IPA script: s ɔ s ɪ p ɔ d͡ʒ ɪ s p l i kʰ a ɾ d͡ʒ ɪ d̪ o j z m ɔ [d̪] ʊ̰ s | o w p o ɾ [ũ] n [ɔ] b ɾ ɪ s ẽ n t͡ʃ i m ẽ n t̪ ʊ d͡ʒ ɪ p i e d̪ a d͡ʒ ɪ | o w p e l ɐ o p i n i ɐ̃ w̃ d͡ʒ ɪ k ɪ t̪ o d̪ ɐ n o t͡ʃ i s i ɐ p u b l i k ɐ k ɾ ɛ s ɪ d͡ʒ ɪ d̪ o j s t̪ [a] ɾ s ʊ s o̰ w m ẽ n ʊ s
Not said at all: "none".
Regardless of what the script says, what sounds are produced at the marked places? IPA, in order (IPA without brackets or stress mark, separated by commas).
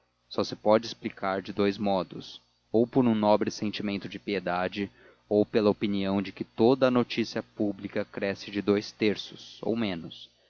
d̪, ũ, ɔ, e